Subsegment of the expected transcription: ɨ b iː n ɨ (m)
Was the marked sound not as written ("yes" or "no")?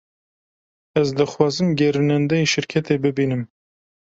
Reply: no